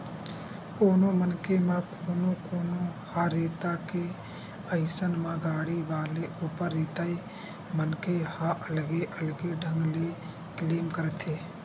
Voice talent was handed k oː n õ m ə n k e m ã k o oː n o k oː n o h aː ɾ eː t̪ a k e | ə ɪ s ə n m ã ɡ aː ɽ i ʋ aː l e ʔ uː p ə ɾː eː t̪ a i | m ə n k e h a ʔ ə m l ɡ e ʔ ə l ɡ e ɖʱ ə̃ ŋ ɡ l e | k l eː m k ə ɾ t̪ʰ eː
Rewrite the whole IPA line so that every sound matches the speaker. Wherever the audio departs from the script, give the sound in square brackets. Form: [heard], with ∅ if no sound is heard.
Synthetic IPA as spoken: k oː n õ m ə n k e m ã k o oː n o k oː n o h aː ɾ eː t̪ a k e | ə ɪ s ə n m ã ɡ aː ɽ i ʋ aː l e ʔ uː p ə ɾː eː t̪ a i | m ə n k e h a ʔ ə [∅] l ɡ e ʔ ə l ɡ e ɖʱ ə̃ ŋ ɡ l e | k l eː m k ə ɾ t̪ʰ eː